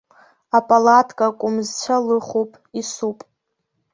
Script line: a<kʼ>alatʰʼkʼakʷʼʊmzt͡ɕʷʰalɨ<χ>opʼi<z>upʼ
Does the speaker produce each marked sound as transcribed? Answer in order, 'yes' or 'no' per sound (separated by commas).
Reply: no, yes, no